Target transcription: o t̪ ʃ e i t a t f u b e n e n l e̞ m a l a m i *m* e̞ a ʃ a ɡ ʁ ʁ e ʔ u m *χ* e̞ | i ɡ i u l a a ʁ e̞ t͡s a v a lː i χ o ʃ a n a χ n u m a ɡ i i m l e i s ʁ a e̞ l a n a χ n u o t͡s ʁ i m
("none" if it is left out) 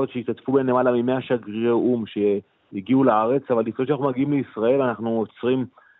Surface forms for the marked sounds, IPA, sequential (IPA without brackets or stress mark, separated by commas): m, ʃ